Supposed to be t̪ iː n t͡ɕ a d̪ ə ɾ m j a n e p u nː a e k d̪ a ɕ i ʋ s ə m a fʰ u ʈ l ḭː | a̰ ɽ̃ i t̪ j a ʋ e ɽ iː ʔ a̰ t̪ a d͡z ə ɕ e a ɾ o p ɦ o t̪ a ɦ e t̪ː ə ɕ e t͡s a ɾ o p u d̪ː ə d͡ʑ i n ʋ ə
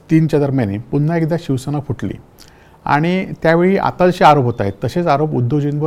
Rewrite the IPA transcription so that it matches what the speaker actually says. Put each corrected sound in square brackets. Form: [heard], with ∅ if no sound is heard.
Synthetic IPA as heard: t̪ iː n t͡ɕ a d̪ ə ɾ m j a n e p u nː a e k d̪ a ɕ i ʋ s ə [n] a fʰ u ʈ l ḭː | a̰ ɽ̃ i t̪ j a ʋ e [ɭ] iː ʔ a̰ t̪ a d͡z ə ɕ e a ɾ o p ɦ o t̪ a ɦ e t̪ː ə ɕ e t͡s a ɾ o p u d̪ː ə d͡ʑ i n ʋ ə